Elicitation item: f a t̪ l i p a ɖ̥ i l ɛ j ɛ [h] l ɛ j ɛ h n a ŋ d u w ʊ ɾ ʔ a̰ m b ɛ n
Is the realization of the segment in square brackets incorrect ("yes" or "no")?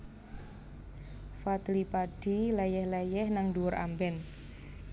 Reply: no